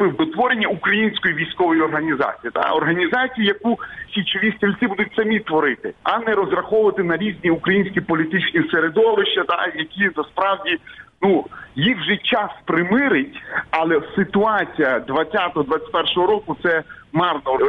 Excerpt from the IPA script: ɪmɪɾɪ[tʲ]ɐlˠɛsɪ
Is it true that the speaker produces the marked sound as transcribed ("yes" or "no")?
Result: yes